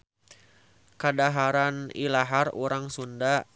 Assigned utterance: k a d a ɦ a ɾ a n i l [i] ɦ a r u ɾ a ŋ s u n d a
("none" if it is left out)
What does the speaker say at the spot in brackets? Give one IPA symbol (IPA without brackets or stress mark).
a